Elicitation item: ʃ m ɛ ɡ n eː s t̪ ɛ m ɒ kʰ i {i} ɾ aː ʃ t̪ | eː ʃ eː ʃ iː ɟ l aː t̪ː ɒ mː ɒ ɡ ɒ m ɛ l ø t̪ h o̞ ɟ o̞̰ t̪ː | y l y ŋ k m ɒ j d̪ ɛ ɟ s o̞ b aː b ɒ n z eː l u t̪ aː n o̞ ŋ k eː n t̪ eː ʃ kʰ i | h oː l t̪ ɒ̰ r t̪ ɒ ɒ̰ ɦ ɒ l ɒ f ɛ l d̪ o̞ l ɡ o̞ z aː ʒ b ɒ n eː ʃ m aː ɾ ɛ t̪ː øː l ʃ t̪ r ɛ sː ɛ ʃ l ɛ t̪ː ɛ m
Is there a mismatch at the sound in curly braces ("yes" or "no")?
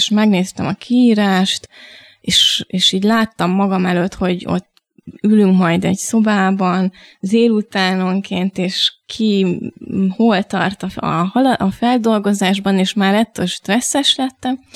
yes